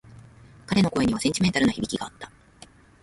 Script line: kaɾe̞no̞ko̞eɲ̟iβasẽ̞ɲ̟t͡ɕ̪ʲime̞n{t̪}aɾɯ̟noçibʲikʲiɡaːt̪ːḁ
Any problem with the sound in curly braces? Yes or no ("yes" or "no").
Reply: no